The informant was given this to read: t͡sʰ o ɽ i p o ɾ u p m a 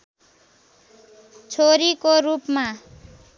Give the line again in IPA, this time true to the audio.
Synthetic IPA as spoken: t͡sʰ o ɾ i k o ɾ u p m a